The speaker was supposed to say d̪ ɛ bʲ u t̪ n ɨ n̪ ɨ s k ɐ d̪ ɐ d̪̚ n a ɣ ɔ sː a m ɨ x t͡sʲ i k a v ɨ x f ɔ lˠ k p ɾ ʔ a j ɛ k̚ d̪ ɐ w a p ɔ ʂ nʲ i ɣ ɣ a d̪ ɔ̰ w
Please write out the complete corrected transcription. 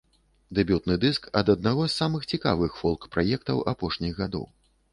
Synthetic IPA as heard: d̪ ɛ bʲ u t̪ n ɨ d̪ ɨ s k ɐ d̪ ɐ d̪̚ n a ɣ ɔ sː a m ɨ x t͡sʲ i k a v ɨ x f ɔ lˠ k p ɾ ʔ a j ɛ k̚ t̪ ɐ w a p ɔ ʂ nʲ i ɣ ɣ a d̪ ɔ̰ w